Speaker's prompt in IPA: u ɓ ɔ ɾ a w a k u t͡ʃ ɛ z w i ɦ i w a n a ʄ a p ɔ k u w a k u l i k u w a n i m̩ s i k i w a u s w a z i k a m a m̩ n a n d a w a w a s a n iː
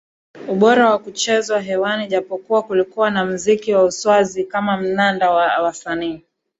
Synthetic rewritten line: u ɓ ɔ ɾ a w a k u t͡ʃ ɛ z w a ɦ ɛ w a n i ʄ a p ɔ k u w a k u l i k u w a n a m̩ z i k i w a u s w a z i k a m a m̩ n a n d a w a w a s a n iː